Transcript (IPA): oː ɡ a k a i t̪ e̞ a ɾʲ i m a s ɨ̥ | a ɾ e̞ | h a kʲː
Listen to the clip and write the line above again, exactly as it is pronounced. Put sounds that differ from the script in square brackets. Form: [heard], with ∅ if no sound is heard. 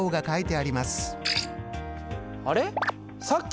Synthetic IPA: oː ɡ a k a i t̪ e̞ a ɾʲ i m a s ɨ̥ | a ɾ e̞ | [s] a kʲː